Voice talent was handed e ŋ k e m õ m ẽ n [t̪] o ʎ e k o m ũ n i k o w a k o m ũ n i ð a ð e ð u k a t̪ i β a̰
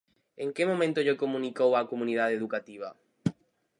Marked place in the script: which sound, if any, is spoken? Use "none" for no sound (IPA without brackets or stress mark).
t̪